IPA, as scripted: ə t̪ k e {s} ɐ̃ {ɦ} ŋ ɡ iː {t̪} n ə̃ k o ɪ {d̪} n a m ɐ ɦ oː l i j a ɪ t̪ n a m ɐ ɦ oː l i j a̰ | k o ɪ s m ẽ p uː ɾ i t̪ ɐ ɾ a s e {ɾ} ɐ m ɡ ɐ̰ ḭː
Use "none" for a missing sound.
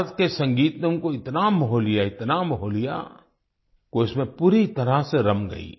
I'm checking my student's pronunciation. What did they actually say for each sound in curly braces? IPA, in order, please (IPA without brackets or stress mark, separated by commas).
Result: s, none, t̪, t̪, ɾ